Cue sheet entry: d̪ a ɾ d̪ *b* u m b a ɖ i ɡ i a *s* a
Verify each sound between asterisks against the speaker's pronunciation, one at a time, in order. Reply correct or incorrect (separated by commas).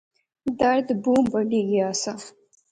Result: correct, correct